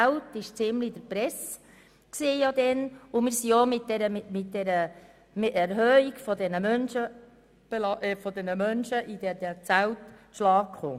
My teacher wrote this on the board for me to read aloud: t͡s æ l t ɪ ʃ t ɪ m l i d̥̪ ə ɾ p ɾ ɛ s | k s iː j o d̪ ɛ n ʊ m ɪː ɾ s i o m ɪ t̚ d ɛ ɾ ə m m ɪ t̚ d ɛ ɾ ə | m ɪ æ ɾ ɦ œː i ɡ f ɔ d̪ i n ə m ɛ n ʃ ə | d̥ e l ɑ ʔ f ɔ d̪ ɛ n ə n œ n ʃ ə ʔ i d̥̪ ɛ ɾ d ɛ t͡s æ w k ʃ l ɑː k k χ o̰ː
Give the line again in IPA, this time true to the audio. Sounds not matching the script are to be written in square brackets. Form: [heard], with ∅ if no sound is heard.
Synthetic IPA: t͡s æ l t ɪ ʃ [t͡s] ɪ m l i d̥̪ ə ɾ p ɾ ɛ s | k s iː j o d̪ ɛ n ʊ m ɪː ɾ s i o m ɪ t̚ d ɛ ɾ ə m m ɪ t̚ d ɛ ɾ ə | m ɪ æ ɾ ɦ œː i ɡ f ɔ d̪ [ɛ] n ə m [œ] n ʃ ə | [b̥] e l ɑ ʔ f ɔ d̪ ɛ n ə [m] œ n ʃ ə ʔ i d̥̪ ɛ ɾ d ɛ t͡s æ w [t] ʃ l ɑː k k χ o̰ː